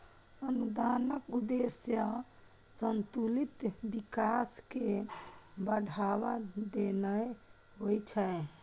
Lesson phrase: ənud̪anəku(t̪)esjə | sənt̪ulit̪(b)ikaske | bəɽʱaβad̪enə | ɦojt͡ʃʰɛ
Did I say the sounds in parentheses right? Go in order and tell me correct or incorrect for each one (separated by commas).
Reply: incorrect, correct